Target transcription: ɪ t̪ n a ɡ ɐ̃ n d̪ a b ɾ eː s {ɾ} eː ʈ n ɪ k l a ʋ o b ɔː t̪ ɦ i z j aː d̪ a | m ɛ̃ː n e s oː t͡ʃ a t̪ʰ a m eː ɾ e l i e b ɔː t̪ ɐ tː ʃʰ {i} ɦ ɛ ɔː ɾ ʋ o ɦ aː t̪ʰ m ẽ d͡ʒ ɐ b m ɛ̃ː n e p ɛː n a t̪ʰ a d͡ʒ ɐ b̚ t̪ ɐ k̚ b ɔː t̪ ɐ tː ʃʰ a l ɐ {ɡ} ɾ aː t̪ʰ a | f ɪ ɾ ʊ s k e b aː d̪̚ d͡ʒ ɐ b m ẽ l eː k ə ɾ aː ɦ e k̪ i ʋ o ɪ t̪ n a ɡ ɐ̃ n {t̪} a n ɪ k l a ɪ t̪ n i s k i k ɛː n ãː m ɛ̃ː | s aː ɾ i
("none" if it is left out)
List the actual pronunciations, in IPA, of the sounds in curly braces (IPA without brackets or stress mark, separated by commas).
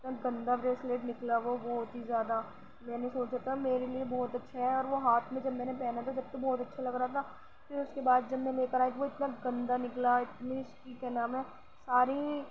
l, a, ɡ, d̪